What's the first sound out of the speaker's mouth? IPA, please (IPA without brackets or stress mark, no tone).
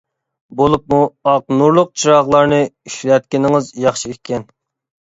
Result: b